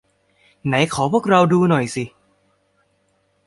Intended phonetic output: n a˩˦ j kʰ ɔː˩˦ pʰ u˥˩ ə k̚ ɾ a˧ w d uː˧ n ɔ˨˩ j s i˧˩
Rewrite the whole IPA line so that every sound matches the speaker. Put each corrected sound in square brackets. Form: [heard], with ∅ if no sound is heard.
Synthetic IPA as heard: n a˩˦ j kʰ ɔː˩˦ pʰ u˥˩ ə k̚ ɾ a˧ w d uː˧ n ɔ˨˩ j s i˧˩